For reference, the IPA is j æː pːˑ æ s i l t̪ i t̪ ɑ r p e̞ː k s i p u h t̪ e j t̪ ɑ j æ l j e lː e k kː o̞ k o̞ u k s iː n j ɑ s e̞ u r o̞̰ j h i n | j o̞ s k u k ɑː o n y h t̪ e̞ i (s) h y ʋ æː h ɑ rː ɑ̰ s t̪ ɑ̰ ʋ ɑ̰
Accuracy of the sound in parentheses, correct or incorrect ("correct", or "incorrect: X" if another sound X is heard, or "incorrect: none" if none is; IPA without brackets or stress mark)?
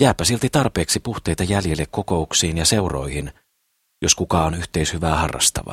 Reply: correct